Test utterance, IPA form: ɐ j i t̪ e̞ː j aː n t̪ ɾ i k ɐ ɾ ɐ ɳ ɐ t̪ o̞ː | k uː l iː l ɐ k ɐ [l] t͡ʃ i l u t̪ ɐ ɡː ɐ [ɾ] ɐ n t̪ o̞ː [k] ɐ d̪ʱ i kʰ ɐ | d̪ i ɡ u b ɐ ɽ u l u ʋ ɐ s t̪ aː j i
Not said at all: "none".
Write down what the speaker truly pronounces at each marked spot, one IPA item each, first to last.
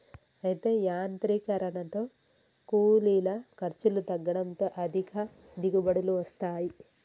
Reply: ɾ, ɽ, ʔ

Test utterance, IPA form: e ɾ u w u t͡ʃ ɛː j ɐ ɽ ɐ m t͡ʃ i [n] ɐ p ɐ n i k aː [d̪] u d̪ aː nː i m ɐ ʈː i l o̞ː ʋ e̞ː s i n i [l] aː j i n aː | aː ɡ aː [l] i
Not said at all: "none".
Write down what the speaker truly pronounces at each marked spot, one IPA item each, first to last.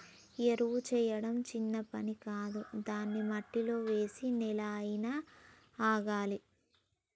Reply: nː, d̪, l, l

